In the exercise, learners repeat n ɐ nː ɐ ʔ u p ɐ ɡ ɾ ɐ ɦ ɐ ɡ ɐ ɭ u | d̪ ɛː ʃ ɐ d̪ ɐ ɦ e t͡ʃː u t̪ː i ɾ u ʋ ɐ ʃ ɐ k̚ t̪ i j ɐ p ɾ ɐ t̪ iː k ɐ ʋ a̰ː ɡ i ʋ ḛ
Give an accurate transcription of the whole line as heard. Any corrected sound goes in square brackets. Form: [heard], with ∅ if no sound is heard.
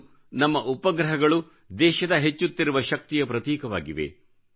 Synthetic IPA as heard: n ɐ [mː] ɐ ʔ u p ɐ ɡ ɾ ɐ ɦ ɐ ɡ ɐ ɭ u | d̪ ɛː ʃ ɐ d̪ ɐ ɦ e t͡ʃː u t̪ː i ɾ u ʋ ɐ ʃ ɐ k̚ t̪ i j ɐ p ɾ ɐ t̪ iː k ɐ ʋ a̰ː ɡ i ʋ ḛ